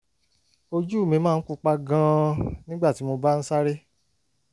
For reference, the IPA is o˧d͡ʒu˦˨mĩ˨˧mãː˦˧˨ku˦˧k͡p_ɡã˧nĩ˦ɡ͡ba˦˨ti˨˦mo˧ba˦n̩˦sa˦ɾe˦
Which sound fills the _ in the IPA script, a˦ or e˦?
a˦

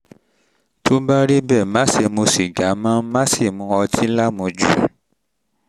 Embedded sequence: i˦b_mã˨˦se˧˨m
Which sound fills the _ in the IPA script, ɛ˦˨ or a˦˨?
ɛ˦˨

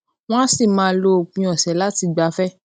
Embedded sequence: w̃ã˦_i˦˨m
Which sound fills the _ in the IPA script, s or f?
s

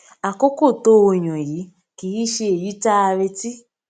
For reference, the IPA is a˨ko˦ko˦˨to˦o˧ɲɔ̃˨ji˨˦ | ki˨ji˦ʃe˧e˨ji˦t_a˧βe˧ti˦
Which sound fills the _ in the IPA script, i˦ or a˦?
a˦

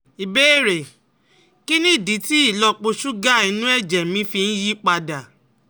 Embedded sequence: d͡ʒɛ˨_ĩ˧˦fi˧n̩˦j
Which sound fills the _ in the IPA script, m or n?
m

